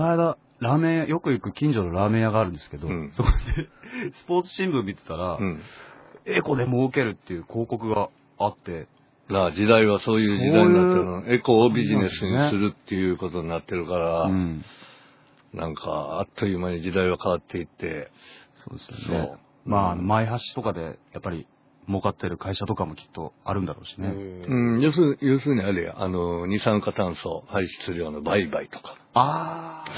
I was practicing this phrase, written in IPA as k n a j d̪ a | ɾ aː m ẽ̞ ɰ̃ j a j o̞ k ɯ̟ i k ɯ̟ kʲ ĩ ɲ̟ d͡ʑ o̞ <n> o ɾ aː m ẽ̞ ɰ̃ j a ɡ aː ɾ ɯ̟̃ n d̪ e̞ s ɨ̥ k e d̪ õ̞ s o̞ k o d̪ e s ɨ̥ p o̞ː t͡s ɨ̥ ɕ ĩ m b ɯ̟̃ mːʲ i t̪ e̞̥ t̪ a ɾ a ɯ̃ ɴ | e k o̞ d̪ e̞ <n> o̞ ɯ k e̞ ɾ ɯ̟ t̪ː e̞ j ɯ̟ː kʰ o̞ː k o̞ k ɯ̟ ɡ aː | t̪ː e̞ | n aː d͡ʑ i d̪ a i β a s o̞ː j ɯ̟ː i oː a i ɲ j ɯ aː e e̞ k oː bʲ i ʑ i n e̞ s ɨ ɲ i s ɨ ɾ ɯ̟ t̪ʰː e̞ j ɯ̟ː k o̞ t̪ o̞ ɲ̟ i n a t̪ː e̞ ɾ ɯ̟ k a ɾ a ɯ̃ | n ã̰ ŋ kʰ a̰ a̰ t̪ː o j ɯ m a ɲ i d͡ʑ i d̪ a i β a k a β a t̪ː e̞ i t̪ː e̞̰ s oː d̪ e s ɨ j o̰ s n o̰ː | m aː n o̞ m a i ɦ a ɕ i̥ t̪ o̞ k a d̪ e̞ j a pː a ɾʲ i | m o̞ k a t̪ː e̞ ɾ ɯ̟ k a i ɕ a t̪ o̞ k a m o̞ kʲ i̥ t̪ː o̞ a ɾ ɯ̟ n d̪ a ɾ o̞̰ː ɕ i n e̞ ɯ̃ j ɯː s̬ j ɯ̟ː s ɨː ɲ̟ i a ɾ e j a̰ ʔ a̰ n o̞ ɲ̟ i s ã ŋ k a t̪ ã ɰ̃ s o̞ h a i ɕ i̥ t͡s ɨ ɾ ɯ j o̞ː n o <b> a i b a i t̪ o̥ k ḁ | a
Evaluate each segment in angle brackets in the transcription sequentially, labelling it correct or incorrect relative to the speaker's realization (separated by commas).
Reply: correct, incorrect, correct